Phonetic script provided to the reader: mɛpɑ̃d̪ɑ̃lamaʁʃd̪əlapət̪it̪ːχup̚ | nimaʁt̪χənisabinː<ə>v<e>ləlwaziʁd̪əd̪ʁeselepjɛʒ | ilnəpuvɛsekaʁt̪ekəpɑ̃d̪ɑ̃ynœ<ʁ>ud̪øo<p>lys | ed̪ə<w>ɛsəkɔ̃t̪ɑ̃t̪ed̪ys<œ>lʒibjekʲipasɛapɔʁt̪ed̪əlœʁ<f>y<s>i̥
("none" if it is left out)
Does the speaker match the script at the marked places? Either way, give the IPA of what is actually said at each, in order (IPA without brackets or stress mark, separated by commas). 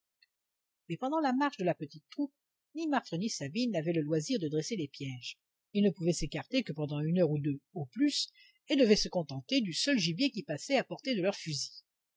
a, ɛ, ʁ, p, v, œ, f, z